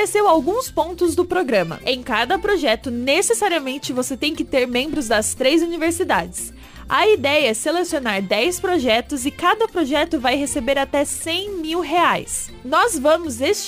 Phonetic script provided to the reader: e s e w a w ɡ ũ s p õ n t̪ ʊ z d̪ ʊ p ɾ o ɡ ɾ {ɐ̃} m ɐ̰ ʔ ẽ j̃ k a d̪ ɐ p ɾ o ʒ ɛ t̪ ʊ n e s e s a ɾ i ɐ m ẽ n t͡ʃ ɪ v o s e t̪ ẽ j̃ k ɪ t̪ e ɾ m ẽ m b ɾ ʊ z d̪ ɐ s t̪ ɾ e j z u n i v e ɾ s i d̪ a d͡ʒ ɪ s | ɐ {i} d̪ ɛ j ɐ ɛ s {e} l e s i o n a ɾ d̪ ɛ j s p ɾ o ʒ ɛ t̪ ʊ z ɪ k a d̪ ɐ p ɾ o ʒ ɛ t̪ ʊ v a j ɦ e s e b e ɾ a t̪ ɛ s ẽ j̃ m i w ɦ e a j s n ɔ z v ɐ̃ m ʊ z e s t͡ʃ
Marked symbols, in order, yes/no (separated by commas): yes, yes, yes